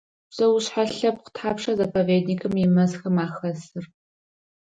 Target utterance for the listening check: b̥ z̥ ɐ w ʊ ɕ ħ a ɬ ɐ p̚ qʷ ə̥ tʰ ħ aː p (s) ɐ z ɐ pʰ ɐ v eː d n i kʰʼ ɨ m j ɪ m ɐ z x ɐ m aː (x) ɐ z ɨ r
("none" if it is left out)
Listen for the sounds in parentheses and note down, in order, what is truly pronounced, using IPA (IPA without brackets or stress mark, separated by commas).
ʂ, x